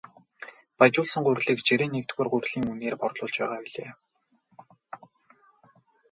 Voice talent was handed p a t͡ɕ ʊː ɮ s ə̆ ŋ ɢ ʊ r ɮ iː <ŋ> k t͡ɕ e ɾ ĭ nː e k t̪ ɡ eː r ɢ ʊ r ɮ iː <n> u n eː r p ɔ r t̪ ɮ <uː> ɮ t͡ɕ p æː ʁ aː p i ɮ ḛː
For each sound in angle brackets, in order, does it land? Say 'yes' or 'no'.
no, no, no

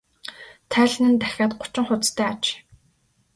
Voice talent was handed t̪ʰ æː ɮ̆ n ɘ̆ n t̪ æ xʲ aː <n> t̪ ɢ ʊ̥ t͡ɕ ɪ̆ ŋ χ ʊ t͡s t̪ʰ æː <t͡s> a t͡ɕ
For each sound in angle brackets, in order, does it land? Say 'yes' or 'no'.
no, no

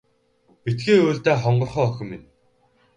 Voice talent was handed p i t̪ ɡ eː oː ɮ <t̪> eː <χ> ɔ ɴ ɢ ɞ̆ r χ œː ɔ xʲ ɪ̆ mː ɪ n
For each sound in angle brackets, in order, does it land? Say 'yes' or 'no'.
yes, yes

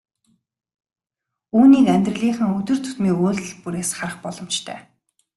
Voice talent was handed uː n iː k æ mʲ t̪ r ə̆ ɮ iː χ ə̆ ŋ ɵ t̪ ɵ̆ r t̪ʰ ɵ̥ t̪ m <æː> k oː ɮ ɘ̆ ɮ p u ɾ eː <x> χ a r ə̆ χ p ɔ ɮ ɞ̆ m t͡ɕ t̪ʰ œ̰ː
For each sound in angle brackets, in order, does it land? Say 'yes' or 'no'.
no, no

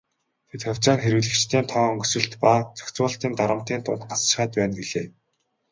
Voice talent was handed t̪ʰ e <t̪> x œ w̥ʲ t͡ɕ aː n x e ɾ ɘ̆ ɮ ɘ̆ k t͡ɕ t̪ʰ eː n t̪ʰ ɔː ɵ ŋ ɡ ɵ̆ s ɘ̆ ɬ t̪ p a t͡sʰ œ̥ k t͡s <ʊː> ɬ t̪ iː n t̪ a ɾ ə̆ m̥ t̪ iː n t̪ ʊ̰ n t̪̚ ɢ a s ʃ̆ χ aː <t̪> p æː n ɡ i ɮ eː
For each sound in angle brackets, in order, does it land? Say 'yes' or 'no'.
yes, yes, yes

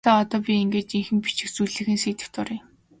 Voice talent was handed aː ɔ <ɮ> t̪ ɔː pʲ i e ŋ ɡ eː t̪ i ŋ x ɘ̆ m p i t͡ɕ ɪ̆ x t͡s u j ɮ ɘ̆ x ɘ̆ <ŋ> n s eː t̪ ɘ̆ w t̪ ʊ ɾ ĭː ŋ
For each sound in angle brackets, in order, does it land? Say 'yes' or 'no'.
no, no

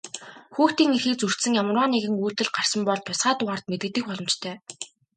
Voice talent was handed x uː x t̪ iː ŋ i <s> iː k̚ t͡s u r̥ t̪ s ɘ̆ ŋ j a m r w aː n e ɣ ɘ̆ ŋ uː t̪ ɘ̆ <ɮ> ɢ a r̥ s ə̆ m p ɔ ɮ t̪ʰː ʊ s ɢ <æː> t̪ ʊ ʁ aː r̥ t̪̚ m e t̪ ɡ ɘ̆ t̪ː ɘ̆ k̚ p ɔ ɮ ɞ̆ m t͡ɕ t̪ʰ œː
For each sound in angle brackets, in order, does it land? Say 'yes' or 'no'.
no, yes, no

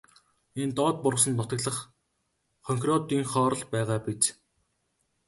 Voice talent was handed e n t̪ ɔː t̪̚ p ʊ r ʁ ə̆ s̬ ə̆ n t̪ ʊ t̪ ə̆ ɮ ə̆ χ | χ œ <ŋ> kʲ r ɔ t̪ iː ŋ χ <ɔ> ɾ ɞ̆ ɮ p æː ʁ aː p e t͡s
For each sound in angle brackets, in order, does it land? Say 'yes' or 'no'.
yes, no

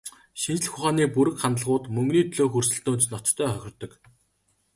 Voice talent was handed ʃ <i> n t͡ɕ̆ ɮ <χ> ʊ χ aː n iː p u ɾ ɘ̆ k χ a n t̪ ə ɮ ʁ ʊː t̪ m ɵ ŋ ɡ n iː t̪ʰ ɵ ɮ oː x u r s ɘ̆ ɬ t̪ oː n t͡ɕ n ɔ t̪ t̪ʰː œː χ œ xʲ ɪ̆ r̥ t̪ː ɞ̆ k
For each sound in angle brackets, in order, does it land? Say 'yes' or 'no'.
yes, no

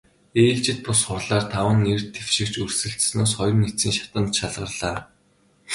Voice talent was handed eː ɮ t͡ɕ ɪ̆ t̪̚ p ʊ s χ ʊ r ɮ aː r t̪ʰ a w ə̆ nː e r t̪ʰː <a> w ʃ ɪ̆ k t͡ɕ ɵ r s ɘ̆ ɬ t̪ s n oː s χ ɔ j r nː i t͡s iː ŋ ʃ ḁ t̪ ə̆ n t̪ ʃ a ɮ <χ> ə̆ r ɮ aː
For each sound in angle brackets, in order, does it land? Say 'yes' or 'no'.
no, no

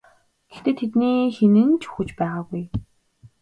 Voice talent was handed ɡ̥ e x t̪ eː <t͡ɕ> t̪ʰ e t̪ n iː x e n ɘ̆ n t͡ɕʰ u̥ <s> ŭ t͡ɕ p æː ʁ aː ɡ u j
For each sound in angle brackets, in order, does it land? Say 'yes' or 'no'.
no, no

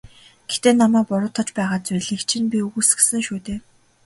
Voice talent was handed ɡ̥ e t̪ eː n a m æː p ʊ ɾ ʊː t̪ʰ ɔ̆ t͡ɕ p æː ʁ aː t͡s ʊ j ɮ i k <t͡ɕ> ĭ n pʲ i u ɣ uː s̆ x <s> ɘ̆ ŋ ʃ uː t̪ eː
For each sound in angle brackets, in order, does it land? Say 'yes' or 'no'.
no, yes

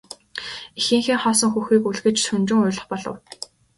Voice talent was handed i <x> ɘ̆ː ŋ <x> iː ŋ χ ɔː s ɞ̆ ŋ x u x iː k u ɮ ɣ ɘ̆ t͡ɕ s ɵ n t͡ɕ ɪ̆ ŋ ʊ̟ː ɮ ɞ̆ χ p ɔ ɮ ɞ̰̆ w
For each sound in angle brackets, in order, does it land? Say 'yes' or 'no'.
yes, yes

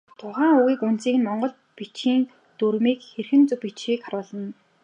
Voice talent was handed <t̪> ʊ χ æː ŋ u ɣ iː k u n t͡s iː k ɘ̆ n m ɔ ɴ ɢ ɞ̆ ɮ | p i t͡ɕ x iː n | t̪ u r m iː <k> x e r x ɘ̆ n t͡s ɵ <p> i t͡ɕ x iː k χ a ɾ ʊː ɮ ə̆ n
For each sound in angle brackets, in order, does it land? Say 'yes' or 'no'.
no, yes, yes

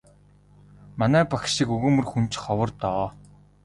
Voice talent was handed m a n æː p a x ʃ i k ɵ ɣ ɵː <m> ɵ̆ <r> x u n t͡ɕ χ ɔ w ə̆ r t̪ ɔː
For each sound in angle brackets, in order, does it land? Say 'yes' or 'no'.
yes, yes

